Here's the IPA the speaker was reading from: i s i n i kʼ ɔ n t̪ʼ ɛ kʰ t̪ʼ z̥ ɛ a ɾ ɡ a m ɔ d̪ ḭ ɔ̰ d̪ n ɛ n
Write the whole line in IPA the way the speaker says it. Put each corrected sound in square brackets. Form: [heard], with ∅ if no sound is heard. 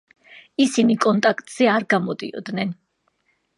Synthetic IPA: i s i n i kʼ ɔ n t̪ʼ [a] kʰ t̪ʼ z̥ ɛ a ɾ ɡ a m ɔ d̪ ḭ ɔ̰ d̪ n ɛ n